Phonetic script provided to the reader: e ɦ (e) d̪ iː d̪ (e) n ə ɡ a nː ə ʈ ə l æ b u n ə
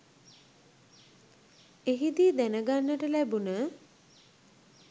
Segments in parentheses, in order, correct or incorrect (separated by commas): incorrect, incorrect